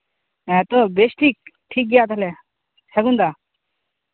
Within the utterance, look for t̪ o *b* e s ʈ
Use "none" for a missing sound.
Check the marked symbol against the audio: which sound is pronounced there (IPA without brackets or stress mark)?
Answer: b